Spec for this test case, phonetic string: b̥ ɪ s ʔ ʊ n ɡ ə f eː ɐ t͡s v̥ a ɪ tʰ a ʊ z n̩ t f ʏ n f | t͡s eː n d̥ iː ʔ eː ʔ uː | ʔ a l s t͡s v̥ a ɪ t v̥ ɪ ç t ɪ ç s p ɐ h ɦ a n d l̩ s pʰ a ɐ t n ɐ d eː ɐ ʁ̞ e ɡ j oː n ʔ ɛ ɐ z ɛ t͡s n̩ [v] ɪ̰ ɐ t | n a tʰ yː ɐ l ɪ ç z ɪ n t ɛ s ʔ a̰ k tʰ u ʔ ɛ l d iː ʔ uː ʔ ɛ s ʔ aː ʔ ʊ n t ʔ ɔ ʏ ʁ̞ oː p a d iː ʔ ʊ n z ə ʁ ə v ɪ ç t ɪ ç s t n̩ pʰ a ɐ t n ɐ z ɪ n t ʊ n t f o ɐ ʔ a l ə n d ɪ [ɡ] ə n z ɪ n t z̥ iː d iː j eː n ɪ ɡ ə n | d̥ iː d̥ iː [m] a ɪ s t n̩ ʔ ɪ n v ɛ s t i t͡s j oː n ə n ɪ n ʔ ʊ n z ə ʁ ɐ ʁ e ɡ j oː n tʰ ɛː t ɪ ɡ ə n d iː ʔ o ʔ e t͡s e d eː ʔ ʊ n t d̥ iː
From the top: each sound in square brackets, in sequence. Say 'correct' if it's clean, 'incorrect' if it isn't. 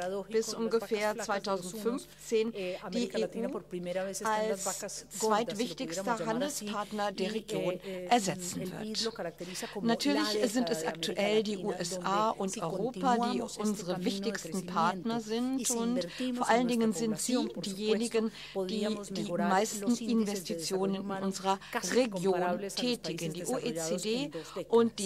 correct, incorrect: ŋ, correct

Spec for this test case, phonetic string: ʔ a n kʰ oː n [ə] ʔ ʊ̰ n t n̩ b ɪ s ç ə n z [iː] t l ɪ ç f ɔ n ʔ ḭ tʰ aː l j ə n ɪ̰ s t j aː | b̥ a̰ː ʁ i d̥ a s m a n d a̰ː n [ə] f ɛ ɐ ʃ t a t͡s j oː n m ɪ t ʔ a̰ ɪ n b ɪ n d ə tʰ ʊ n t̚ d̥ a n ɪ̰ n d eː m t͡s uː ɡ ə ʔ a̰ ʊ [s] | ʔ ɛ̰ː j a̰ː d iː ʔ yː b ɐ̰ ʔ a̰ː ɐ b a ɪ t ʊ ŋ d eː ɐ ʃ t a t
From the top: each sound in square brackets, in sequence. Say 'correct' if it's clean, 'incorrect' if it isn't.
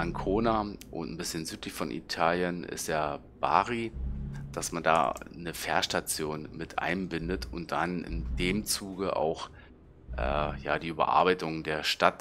incorrect: a, incorrect: yː, correct, incorrect: x

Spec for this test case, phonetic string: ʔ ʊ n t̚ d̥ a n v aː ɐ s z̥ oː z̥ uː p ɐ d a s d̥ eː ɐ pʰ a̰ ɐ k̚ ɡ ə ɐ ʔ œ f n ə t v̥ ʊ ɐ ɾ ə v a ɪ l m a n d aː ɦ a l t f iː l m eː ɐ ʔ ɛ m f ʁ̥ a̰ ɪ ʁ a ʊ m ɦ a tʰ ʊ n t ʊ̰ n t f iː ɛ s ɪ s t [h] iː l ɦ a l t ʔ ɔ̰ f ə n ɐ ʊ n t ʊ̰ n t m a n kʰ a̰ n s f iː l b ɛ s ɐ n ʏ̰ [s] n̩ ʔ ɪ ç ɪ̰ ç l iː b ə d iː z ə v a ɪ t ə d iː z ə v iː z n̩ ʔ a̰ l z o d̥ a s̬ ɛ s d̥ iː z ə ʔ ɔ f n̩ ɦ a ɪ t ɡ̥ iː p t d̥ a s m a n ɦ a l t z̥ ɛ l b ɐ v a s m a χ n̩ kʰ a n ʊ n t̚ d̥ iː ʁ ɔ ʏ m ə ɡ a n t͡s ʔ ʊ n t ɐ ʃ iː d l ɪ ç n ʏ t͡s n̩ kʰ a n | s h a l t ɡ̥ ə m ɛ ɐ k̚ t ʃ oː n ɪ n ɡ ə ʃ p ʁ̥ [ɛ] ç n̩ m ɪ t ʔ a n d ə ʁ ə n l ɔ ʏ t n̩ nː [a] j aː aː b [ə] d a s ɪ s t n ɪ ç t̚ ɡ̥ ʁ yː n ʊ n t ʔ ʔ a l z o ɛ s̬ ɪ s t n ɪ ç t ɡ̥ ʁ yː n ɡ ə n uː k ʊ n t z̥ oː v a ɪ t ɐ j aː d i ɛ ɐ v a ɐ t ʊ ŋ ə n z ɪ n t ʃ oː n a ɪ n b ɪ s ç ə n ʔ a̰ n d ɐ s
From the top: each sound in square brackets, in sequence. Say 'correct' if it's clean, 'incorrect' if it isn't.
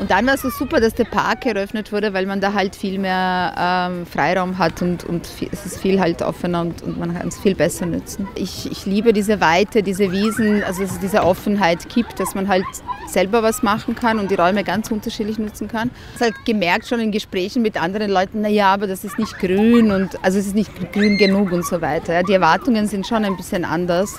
incorrect: f, incorrect: t͡s, incorrect: ɛː, correct, incorrect: ɐ

